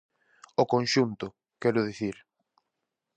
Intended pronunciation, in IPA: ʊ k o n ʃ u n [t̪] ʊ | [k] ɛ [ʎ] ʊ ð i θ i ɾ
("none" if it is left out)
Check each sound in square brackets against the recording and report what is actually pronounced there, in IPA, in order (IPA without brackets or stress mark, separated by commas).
t̪, k, ɾ